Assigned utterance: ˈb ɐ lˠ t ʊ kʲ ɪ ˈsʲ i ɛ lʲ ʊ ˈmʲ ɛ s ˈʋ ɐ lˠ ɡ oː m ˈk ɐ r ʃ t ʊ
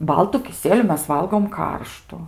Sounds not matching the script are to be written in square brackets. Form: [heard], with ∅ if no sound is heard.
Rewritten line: ˈb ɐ lˠ t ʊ kʲ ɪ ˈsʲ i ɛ lʲ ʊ ˈmʲ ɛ s ˈʋ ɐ lˠ ɡ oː m ˈk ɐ r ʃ t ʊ